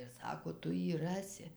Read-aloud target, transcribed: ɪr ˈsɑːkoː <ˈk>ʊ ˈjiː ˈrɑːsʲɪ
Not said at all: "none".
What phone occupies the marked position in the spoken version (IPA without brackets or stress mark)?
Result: t